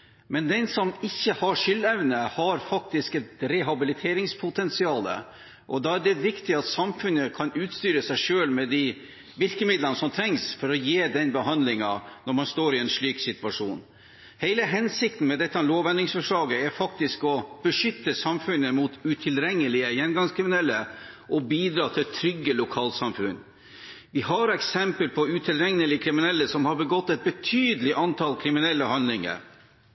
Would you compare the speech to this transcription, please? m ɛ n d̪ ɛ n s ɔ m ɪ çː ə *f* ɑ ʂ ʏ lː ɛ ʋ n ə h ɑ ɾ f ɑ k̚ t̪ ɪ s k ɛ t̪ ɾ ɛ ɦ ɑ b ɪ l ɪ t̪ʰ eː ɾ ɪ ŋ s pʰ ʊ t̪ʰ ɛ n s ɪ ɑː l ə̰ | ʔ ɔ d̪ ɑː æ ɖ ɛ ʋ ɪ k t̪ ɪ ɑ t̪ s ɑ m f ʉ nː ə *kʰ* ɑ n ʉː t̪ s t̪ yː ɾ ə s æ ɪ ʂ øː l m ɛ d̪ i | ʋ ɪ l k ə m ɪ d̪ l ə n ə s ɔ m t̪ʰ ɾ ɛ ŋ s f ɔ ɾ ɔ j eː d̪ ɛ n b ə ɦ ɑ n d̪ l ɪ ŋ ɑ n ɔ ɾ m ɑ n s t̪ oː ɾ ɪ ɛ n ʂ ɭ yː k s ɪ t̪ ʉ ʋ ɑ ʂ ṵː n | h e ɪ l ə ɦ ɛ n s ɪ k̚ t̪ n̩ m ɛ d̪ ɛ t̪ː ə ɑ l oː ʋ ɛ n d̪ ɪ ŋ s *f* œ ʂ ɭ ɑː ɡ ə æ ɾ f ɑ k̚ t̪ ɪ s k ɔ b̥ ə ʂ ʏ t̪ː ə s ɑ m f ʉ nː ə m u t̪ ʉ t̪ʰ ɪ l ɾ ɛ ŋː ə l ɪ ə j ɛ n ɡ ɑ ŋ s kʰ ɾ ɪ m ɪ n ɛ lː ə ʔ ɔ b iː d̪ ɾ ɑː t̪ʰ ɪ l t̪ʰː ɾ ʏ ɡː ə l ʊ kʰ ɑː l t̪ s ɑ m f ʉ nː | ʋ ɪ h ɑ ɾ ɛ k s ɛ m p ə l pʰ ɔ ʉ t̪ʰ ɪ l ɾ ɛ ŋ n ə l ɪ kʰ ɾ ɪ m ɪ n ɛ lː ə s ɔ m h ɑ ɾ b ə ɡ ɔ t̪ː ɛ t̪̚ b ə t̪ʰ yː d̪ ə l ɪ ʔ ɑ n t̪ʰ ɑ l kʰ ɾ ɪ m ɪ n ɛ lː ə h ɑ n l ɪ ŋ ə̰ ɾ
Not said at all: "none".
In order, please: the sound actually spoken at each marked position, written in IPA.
h, kʰ, f

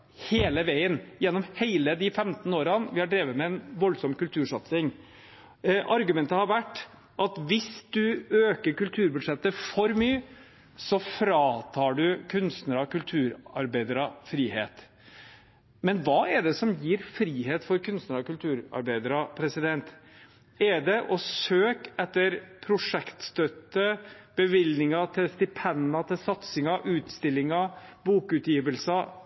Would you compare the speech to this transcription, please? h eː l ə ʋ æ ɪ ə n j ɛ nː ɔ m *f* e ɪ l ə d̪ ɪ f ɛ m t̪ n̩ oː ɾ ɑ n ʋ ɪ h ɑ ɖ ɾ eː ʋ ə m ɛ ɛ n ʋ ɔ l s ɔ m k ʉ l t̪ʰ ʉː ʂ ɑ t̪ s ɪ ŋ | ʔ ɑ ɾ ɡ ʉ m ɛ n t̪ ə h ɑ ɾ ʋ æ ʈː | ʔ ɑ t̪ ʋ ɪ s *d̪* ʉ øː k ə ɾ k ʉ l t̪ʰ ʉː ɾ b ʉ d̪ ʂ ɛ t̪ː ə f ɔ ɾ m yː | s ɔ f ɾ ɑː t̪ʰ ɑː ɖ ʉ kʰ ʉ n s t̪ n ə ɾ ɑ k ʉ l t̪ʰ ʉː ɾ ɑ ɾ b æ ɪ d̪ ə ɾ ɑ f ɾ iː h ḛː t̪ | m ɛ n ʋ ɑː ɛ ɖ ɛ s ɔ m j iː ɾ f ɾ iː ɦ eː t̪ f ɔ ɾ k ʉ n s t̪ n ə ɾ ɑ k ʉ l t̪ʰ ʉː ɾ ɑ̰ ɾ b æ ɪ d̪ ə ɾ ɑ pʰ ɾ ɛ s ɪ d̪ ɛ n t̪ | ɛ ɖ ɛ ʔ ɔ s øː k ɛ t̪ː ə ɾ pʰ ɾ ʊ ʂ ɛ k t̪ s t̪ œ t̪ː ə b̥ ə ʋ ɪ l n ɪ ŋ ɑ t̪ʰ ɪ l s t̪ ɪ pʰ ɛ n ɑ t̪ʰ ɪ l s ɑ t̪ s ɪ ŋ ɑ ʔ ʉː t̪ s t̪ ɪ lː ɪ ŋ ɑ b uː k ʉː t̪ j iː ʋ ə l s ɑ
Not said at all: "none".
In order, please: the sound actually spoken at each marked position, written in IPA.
h, d̪

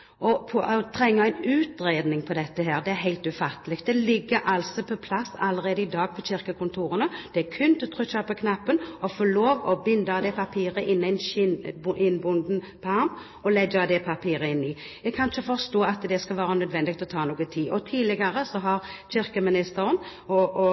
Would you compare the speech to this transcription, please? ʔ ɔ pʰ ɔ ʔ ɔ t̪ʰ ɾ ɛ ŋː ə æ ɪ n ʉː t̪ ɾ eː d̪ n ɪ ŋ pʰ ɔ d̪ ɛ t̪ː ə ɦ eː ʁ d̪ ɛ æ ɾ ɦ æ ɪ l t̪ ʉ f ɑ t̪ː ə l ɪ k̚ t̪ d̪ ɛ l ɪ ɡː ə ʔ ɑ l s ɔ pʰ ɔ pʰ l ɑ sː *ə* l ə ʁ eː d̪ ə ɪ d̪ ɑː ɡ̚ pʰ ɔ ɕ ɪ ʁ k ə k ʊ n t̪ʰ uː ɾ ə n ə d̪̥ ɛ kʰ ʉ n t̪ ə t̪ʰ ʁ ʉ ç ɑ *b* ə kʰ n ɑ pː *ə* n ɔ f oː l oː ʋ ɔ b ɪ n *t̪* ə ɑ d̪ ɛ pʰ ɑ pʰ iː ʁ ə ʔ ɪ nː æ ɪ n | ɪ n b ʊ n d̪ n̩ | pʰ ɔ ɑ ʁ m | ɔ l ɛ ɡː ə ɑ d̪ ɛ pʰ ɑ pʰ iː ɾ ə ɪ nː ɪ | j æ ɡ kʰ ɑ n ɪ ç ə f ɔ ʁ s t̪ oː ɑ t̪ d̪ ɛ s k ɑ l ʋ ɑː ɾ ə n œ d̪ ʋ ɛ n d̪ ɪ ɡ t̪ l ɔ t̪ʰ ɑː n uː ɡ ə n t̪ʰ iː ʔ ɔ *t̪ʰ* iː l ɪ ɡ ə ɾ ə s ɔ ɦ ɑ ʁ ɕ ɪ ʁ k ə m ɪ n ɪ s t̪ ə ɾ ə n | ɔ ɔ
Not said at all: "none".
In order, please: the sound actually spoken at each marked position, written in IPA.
ɑ, p, ə, d̪, t̪ʰ

